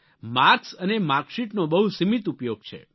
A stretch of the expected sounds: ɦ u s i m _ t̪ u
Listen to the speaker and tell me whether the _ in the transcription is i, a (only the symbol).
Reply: i